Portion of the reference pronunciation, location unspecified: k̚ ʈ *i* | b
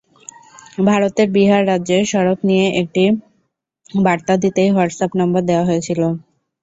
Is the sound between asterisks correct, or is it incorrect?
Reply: correct